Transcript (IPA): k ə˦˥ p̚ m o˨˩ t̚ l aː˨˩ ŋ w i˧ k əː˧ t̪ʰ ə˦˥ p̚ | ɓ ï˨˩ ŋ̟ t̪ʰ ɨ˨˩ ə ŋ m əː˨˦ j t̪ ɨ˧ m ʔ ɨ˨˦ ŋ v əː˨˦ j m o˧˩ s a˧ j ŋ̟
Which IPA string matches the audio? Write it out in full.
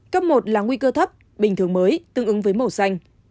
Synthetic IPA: k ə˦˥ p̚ m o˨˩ t̚ l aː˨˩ ŋ w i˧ k əː˧ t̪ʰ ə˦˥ p̚ | ɓ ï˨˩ ŋ̟ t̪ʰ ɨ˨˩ ə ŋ m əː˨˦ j t̪ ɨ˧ ŋ ʔ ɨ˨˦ ŋ v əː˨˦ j m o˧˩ s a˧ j ŋ̟

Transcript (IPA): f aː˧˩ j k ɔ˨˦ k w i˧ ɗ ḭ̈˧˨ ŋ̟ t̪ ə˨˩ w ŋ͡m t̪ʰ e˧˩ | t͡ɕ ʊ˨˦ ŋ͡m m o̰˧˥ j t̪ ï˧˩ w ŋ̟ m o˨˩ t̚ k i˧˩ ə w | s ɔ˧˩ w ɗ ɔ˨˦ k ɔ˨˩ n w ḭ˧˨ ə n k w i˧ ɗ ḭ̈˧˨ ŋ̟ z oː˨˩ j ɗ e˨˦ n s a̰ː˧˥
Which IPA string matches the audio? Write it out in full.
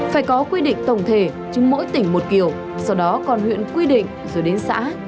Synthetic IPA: f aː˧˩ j k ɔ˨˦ k w i˧ ɗ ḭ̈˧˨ ŋ̟ t̪ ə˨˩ w ŋ͡m t̪ʰ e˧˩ | t͡ɕ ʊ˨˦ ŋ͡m m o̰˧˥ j t̪ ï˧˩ ŋ̟ m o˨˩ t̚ k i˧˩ ə w | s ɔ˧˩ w ɗ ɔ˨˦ k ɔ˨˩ n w ḭ˧˨ ə n k w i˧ ɗ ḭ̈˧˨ ŋ̟ z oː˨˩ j ɗ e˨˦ n s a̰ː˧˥

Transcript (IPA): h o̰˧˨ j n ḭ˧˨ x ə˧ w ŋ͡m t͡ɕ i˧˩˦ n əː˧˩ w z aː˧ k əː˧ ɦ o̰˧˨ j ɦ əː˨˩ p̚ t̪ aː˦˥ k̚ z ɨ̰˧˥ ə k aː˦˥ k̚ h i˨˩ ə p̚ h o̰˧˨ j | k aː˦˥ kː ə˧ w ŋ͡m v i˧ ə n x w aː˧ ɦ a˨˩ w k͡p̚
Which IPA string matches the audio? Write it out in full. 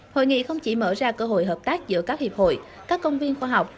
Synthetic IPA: h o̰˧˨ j ŋ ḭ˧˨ x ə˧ w ŋ͡m t͡ɕ i˧˩˦ m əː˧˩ z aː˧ k əː˧ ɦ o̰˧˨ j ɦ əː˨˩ p̚ t̪ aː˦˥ k̚ z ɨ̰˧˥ ə k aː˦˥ k̚ h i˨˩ ə p̚ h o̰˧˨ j | k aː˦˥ kː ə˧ w ŋ͡m v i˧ ə n x w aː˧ ɦ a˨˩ w k͡p̚

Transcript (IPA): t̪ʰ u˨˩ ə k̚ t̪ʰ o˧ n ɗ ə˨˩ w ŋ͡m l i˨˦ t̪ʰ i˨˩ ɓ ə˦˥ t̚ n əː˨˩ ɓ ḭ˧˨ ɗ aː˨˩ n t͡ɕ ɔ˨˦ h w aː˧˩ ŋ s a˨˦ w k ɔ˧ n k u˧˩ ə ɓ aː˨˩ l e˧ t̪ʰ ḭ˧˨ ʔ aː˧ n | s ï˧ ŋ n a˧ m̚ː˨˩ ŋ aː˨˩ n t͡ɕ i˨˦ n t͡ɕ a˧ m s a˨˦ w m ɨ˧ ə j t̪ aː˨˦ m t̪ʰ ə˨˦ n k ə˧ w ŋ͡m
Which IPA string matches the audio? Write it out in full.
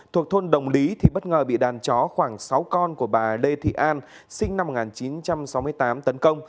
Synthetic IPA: t̪ʰ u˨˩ ə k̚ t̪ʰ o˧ n ɗ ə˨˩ w ŋ͡m l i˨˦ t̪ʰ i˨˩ ɓ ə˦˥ t̚ ŋ əː˨˩ ɓ ḭ˧˨ ɗ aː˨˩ n t͡ɕ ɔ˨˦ x w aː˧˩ ŋ s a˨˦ w k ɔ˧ n k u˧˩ ə ɓ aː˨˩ l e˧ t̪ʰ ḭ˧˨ ʔ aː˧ n | s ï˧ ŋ n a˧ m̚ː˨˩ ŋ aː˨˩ n t͡ɕ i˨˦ n t͡ɕ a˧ m s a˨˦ w m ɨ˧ ə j t̪ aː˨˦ m t̪ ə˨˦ n k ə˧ w ŋ͡m

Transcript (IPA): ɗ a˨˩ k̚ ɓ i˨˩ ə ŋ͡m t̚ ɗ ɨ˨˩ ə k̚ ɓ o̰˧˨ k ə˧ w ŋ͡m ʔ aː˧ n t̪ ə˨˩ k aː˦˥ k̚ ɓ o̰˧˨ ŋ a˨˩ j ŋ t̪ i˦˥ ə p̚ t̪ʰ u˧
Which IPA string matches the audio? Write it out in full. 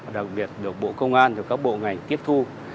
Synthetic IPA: ɗ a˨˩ k̚ ɓ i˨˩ ə t̚ ɗ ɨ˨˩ ə k̚ ɓ o̰˧˨ k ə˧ w ŋ͡m ʔ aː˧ n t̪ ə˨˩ k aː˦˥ k̚ ɓ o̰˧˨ ŋ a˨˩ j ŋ t̪ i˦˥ ə p̚ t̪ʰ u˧

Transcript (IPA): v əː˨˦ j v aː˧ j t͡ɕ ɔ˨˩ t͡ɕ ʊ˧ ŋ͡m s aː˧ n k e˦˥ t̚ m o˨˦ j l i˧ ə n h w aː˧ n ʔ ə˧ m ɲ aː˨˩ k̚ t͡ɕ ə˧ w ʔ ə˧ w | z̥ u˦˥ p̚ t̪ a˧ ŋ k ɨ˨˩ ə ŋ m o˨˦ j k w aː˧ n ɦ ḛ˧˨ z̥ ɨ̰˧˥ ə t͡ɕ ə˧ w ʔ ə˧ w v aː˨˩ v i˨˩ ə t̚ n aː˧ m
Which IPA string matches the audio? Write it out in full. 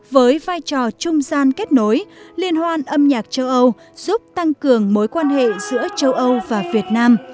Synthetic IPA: v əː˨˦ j v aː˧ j t͡ɕ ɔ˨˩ t͡ɕ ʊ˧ ŋ͡m z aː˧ n k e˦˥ t̚ n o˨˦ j l i˧ ə n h w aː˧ n ʔ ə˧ m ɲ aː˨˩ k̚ t͡ɕ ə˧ w ʔ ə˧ w | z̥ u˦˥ p̚ t̪ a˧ ŋ k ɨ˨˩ ə ŋ m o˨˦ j k w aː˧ n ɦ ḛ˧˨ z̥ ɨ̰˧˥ ə t͡ɕ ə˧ w ʔ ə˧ w v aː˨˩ v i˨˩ ə t̚ n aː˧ m

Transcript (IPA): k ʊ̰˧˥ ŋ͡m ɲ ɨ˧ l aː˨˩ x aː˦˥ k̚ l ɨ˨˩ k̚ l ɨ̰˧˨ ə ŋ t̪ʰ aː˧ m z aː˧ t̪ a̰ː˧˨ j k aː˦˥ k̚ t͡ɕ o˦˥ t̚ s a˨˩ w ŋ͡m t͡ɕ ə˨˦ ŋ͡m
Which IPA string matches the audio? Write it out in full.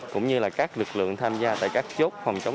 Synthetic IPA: k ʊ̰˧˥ ŋ͡m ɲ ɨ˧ l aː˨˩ k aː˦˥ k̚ l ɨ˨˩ k̚ l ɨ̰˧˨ ə ŋ t̪ʰ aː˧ m z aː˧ t̪ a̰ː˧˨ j k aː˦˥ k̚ t͡ɕ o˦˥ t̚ f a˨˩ w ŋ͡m t͡ɕ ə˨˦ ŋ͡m

